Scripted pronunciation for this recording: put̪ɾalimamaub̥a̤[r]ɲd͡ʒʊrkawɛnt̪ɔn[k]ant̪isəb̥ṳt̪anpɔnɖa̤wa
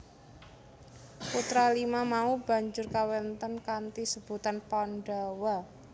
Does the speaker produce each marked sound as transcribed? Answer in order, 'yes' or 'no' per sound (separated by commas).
no, yes